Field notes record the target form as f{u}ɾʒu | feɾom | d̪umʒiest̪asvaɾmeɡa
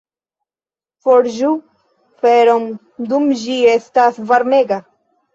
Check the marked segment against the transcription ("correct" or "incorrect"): incorrect